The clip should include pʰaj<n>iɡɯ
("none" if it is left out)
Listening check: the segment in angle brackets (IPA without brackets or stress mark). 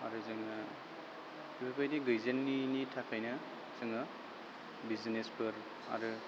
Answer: d